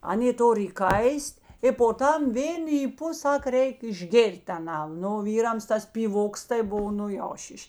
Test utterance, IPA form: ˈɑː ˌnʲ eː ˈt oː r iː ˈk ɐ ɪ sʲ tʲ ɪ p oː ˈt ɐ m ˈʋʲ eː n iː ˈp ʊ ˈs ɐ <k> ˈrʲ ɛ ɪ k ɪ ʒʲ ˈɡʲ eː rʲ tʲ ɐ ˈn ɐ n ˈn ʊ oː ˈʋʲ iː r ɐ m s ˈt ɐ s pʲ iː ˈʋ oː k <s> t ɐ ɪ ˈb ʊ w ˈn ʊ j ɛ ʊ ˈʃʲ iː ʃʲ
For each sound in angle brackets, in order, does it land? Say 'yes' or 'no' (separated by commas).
yes, yes